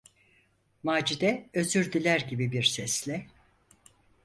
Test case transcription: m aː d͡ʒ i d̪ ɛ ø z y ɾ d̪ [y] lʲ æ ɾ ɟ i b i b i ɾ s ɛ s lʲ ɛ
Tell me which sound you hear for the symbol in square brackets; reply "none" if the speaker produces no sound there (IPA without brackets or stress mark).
i